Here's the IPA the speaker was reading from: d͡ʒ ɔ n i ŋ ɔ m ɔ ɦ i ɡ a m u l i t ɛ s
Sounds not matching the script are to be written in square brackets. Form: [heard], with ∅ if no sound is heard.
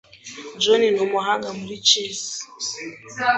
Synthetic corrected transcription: d͡ʒ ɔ n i [n] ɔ m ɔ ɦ [a] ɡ a m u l i [t͡ʃ] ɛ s